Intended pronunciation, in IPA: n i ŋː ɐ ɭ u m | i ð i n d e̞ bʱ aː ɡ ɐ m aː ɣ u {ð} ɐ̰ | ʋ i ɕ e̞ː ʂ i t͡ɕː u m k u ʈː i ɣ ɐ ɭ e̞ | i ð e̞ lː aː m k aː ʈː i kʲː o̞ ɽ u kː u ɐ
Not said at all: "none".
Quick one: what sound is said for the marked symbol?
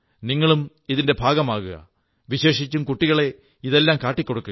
ɣ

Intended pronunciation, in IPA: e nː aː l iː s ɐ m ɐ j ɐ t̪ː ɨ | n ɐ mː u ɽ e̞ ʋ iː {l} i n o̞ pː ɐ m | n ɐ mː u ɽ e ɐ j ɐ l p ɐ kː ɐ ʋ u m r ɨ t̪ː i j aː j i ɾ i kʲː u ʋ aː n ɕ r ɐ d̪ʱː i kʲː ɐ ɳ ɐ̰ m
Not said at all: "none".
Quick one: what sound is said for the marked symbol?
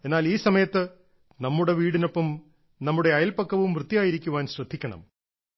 ɽ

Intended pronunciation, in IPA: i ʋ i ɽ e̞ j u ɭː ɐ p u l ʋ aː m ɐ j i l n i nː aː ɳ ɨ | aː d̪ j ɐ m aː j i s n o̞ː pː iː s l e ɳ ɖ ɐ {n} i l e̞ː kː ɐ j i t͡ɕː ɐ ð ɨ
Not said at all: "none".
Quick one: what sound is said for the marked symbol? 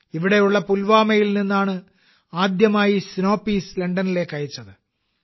n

